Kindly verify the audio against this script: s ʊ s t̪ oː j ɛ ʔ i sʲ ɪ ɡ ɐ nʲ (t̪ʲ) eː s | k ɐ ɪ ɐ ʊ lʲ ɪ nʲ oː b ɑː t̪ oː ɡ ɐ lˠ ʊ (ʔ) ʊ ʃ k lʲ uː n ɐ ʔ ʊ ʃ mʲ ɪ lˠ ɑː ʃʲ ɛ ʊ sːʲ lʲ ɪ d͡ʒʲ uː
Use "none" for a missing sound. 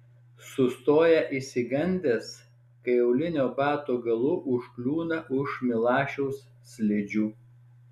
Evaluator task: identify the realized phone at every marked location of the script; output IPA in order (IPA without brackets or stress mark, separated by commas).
d̪ʲ, ʔ